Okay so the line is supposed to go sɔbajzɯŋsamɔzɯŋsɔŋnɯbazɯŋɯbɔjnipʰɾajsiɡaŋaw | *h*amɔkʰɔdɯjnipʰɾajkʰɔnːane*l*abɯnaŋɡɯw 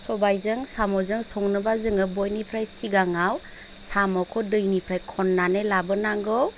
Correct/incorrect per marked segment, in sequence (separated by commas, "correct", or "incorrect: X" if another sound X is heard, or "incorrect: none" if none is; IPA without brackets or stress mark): incorrect: s, correct